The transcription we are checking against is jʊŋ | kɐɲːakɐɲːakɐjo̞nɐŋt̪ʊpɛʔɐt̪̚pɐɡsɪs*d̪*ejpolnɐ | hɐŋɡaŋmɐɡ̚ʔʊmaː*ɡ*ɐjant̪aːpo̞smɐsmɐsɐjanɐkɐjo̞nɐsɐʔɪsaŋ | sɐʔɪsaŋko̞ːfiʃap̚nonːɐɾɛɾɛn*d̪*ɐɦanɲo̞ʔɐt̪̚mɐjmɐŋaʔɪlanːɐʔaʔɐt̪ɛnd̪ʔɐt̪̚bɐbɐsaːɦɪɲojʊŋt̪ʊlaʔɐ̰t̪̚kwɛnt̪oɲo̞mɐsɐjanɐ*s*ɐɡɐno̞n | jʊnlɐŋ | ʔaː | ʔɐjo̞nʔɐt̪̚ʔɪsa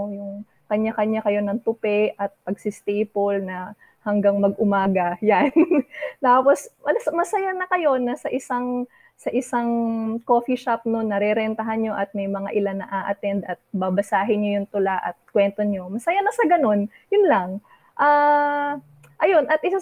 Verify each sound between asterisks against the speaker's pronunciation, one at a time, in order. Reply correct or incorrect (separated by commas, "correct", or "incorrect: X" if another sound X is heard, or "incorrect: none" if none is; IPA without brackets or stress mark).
incorrect: t̪, correct, incorrect: t̪, correct